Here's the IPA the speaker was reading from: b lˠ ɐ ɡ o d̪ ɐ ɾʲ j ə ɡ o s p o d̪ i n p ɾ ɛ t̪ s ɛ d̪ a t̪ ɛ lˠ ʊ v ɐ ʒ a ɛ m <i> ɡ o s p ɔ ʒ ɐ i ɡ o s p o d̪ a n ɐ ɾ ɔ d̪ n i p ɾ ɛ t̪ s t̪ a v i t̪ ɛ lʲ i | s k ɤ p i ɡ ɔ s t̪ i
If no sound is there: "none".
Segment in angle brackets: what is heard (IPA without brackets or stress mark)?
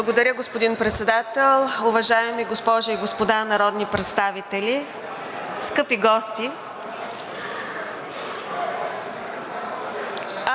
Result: i